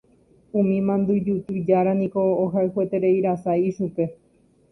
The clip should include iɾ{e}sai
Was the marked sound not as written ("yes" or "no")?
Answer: yes